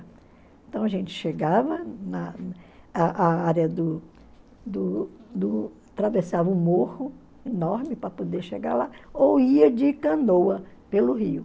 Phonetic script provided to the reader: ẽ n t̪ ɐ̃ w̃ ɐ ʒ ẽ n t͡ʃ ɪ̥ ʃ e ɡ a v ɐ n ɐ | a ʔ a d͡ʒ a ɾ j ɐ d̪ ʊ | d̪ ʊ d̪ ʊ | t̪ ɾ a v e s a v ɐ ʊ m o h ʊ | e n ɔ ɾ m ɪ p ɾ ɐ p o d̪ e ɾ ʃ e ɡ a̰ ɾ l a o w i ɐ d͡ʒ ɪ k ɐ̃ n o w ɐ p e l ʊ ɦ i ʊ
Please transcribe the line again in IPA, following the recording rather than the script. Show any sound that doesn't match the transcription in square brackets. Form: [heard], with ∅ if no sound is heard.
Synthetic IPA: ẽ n t̪ ɐ̃ w̃ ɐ ʒ ẽ n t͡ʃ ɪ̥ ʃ e ɡ a v ɐ n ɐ | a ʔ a [∅] a ɾ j ɐ d̪ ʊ | d̪ ʊ d̪ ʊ | t̪ ɾ a v e s a v ɐ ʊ m o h ʊ | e n ɔ ɾ m ɪ p ɾ ɐ p o d̪ e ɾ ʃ e ɡ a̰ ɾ l a o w i ɐ d͡ʒ ɪ k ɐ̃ n o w ɐ p e l ʊ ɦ i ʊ